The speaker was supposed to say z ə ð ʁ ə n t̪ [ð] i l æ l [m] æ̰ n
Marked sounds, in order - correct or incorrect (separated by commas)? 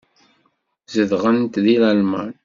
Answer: correct, correct